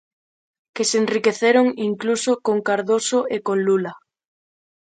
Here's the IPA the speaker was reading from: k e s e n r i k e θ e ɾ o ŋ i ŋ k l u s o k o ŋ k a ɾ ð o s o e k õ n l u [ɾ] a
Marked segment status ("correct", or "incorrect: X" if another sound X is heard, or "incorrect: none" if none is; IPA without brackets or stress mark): incorrect: l